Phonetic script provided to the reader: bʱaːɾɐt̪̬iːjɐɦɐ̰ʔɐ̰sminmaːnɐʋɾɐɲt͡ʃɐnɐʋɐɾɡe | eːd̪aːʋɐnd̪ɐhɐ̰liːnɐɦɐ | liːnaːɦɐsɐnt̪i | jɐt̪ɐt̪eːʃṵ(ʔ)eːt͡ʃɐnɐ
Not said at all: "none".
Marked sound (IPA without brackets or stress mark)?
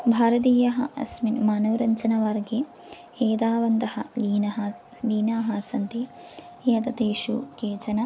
k